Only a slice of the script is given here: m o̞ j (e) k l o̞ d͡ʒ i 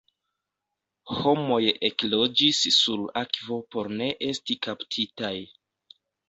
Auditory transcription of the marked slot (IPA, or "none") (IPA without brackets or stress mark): e